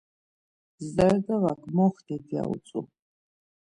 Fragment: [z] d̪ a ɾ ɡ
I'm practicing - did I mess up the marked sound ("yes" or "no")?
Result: no